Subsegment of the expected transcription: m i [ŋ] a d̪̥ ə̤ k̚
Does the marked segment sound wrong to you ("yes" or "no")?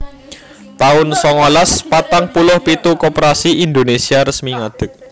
no